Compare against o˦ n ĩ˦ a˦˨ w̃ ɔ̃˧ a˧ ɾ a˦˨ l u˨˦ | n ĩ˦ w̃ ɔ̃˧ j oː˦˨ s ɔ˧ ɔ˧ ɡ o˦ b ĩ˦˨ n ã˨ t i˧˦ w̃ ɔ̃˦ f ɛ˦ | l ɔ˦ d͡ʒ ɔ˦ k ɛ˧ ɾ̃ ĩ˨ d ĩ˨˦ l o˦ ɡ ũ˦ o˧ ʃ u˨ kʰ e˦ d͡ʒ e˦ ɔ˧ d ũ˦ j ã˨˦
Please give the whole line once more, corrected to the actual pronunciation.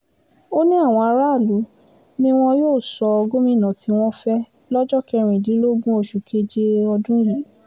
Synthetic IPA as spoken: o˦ n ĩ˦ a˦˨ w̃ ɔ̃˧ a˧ ɾ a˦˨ l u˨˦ | n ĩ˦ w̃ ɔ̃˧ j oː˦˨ s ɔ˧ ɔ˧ ɡ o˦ m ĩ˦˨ n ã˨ t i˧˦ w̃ ɔ̃˦ f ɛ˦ | l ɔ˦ d͡ʒ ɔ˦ k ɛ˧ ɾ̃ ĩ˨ d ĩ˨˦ l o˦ ɡ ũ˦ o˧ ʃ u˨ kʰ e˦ d͡ʒ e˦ ɔ˧ d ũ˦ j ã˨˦

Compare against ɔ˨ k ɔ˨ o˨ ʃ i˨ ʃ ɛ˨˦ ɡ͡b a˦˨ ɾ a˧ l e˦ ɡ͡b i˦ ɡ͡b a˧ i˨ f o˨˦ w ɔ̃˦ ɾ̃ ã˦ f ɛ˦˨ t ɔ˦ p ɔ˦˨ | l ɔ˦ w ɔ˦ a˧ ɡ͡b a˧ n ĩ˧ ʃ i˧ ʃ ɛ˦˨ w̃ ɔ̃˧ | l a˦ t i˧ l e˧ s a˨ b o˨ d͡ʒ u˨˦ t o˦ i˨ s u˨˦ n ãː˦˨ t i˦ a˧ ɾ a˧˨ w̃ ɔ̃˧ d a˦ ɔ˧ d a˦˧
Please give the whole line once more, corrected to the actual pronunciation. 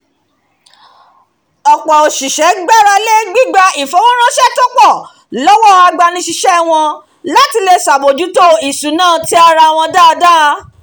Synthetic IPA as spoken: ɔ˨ k͡p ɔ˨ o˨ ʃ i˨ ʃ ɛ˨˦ ɡ͡b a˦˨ ɾ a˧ l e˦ ɡ͡b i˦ ɡ͡b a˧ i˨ f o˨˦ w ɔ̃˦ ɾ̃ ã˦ ʃ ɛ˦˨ t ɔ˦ k͡p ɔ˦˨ | l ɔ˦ w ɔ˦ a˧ ɡ͡b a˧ n ĩ˧ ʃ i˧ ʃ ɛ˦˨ w̃ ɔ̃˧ | l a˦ t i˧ l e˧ s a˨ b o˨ d͡ʒ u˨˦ t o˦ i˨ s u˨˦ n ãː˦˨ t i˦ a˧ ɾ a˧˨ w̃ ɔ̃˧ d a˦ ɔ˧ d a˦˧

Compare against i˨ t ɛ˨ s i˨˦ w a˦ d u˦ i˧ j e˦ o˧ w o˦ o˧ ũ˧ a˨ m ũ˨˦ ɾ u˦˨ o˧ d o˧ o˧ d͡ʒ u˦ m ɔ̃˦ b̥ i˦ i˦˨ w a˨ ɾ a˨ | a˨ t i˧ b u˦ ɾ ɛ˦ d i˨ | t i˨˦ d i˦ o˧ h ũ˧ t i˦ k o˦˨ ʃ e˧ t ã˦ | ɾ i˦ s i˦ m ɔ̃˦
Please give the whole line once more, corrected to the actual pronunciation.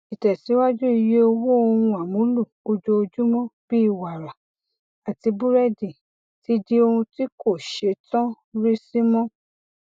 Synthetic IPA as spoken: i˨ t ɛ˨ s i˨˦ w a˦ d͡ʒ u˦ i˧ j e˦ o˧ w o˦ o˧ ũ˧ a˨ m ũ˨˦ l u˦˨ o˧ d͡ʒ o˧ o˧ d͡ʒ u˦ m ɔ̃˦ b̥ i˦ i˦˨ w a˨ ɾ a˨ | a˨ t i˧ b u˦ ɾ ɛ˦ d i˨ | t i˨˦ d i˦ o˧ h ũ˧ t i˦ k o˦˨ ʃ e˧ t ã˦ | ɾ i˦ s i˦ m ɔ̃˦

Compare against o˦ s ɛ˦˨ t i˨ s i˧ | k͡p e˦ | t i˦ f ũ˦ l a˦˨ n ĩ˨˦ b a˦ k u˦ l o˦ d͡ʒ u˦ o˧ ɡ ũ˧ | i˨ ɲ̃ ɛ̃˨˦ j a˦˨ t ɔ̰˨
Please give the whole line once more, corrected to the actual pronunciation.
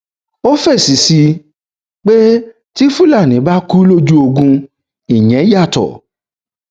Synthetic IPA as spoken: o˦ f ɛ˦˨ s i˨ s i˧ | k͡p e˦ | t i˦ f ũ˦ l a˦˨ n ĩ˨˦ b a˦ k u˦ l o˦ d͡ʒ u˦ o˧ ɡ ũ˧ | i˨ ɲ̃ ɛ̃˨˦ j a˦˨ t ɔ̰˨

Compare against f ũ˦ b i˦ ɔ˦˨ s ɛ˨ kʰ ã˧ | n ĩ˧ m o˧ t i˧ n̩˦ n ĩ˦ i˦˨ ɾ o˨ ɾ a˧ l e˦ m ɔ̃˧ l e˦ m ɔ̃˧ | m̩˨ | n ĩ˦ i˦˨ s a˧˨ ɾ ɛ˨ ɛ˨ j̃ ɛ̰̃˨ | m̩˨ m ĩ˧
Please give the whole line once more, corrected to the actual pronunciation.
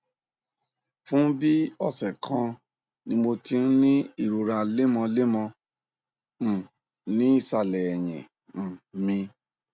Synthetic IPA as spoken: f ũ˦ b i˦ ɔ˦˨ s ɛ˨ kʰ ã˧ | n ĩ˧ m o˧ t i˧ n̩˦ n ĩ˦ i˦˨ ɾ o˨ ɾ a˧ l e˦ m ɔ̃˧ l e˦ m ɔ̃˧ | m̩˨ | n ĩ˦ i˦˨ s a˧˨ l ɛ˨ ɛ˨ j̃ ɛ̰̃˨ | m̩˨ m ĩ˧

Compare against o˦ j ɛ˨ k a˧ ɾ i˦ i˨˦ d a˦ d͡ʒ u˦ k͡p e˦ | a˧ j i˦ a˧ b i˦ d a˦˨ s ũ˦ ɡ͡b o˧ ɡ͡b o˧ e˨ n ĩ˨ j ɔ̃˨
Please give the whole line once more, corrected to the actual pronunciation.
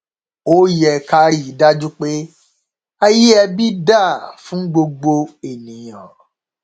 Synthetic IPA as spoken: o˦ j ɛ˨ k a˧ ɾ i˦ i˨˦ d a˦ d͡ʒ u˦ k͡p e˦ | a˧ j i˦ ɛ˧ b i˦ d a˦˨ f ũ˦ ɡ͡b o˧ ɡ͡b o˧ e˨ n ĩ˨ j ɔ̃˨

